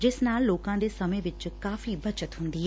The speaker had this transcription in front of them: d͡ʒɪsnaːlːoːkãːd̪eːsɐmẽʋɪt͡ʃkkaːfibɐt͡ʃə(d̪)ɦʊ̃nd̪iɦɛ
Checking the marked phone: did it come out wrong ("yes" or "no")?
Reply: yes